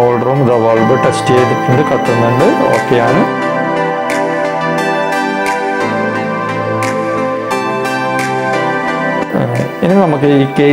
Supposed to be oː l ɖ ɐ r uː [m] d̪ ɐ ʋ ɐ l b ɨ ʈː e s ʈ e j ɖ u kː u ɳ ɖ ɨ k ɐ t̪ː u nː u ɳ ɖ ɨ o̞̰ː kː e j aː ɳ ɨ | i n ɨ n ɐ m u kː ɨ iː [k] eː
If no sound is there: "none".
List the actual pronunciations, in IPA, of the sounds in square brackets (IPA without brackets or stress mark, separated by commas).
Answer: m, k